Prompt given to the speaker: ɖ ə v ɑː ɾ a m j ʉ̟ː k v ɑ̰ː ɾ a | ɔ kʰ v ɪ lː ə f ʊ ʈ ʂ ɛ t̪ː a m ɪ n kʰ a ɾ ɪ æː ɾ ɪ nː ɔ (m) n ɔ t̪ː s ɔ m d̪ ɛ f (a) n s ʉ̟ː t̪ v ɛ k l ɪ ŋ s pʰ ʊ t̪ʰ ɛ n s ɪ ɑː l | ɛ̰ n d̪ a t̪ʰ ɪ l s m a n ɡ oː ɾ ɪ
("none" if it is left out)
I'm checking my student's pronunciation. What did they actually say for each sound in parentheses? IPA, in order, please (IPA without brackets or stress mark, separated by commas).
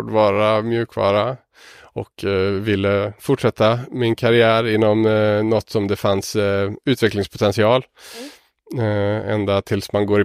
m, a